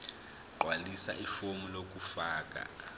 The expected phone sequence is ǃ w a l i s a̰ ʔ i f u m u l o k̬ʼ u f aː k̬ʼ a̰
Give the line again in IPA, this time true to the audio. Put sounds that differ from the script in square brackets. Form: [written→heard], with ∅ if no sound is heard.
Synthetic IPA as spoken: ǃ w a l i s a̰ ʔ i f [u→o] m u l o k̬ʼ u f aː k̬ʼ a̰